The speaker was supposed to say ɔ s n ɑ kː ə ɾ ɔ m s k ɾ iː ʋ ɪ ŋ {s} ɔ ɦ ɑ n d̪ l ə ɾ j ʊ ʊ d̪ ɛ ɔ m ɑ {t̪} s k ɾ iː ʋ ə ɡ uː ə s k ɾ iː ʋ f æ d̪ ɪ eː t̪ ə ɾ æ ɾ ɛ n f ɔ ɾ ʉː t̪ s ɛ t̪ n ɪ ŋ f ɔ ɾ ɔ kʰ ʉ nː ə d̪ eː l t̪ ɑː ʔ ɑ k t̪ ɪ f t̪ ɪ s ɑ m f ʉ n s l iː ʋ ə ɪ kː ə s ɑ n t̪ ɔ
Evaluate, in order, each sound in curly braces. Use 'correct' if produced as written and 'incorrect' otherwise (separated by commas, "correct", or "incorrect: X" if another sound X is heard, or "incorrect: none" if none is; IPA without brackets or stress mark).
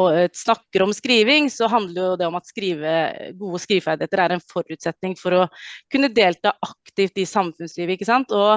correct, correct